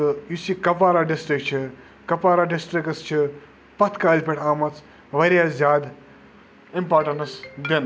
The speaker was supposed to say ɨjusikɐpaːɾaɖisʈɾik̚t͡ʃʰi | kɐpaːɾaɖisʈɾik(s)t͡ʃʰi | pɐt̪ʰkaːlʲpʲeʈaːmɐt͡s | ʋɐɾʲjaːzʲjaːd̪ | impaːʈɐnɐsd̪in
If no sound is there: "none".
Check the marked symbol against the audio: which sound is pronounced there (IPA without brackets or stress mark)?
s